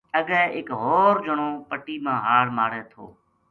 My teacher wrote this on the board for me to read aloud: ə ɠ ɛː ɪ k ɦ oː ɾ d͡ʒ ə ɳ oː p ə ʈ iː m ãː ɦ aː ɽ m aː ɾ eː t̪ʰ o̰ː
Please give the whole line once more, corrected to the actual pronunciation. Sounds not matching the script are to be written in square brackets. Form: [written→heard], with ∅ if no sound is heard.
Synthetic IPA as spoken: ə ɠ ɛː ɪ k ɦ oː ɾ d͡ʒ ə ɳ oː p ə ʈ iː m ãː ɦ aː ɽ m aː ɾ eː t̪ʰ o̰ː